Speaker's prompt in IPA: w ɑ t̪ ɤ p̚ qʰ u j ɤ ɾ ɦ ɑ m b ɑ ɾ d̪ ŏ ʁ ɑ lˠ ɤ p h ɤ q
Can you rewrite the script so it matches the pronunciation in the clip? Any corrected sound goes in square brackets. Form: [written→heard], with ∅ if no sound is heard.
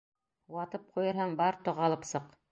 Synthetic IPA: w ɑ t̪ ɤ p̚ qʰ u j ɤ ɾ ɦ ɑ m b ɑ ɾ [d̪→t̪] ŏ ʁ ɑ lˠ ɤ p [h→s] ɤ q